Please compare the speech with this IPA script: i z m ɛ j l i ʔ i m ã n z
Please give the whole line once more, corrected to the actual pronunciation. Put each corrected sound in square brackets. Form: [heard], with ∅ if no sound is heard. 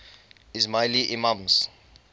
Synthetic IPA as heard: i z m [a] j l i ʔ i m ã [m] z